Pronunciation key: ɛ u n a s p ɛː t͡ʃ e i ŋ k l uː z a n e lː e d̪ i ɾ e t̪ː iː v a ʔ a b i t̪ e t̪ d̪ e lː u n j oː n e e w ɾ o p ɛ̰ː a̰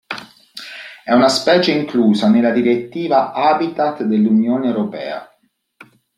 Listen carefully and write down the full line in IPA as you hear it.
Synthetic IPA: ɛ u n a s p ɛː t͡ʃ e i ŋ k l uː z a n e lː a d̪ i ɾ e t̪ː iː v a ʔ a b i t̪ a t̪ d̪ e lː u n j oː n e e w ɾ o p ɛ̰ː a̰